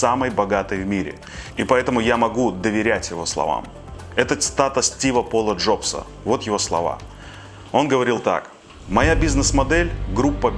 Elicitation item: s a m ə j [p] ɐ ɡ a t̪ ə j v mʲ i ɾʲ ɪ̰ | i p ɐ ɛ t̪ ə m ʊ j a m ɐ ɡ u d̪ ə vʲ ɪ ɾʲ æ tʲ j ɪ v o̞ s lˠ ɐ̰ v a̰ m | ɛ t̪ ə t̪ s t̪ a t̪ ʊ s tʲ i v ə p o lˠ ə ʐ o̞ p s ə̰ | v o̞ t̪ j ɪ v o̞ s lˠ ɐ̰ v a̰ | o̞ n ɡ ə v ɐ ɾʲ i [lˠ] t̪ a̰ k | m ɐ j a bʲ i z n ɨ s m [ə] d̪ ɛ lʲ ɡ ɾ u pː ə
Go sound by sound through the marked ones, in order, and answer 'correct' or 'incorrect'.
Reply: incorrect: b, correct, incorrect: ɐ

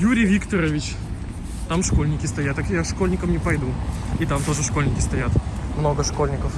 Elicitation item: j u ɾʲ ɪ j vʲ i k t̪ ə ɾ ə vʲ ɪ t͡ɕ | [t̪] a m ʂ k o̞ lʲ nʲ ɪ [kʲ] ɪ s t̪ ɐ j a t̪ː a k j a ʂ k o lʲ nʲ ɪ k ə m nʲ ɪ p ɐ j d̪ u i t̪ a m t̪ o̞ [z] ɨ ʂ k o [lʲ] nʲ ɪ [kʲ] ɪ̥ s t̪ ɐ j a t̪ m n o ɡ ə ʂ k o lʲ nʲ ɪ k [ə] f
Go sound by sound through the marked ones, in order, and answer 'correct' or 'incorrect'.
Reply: correct, correct, incorrect: ʐ, correct, correct, correct

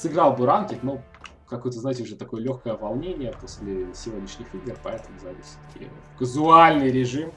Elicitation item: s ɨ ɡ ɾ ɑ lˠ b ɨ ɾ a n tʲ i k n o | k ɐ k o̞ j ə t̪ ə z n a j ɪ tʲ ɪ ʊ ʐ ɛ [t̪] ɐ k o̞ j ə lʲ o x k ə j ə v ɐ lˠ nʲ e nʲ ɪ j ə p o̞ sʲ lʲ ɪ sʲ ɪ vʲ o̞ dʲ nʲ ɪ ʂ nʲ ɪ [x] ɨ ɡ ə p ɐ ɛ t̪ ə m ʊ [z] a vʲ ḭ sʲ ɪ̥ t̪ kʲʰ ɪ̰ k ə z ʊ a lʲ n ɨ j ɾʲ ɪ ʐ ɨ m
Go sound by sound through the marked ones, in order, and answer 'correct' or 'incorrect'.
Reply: correct, correct, correct

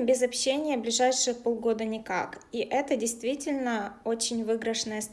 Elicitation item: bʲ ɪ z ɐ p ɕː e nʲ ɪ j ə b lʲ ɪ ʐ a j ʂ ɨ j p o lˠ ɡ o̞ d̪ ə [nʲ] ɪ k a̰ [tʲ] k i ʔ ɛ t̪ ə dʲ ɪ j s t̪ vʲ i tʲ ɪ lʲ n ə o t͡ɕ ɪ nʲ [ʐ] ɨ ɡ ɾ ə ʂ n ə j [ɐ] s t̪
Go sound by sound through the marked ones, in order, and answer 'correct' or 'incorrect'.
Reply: correct, incorrect: none, incorrect: v, incorrect: ə

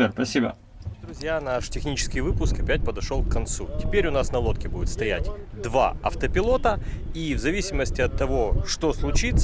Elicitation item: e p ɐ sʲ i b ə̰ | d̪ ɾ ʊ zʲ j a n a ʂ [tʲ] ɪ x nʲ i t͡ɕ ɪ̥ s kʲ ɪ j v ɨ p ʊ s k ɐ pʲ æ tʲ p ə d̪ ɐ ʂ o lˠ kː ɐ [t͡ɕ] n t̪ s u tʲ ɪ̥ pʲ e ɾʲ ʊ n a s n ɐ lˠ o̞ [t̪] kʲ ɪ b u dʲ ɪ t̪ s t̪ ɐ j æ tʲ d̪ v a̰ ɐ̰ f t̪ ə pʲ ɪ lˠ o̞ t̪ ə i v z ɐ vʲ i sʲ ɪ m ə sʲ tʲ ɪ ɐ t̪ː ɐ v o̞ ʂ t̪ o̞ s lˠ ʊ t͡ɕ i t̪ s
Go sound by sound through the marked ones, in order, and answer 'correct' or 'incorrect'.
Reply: correct, incorrect: none, correct

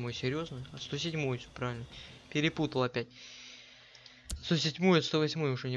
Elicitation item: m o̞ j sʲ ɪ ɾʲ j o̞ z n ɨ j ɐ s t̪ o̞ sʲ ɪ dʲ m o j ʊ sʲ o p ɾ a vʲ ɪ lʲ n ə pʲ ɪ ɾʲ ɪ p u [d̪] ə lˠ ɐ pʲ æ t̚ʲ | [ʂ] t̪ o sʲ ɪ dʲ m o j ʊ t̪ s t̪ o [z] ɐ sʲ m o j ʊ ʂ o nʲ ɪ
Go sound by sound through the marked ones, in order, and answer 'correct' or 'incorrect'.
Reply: incorrect: t̪, incorrect: s, incorrect: v

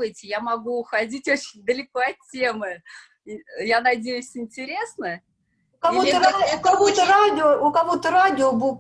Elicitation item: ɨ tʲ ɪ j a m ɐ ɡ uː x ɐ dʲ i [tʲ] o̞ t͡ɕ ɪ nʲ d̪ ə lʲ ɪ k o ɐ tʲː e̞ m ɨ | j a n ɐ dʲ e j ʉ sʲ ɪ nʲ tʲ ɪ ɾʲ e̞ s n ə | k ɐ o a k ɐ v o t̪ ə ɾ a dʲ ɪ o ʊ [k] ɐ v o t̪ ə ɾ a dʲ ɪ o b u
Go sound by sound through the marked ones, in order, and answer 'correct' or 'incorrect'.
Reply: correct, correct

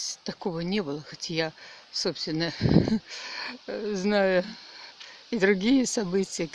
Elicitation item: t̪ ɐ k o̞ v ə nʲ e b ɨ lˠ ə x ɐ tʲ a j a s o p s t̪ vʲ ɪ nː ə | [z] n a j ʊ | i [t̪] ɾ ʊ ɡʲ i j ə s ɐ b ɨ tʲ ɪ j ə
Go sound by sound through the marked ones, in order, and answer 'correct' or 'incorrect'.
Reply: correct, incorrect: d̪

